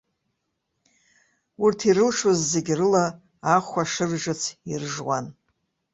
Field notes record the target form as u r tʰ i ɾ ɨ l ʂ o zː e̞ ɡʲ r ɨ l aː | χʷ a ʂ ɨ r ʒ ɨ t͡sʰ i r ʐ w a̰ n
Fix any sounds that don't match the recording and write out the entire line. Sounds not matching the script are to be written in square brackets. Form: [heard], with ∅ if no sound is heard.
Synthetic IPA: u r tʰ i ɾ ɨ l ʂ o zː e̞ ɡʲ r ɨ l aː | χʷ a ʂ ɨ r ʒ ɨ t͡sʰ i r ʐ w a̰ n